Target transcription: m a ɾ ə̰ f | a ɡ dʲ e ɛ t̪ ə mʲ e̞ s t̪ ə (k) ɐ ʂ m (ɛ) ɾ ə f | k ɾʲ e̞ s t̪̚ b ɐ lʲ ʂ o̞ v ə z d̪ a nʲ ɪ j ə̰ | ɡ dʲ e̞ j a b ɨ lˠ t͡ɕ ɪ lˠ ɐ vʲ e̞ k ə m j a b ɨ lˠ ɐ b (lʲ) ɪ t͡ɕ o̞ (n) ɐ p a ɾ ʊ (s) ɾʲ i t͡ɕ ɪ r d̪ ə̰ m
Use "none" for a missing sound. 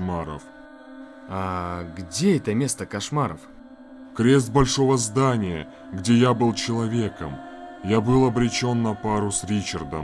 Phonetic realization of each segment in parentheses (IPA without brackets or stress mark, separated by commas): k, a, ɾʲ, nː, s